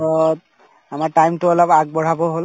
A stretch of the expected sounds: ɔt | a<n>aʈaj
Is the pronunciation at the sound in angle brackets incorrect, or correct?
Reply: incorrect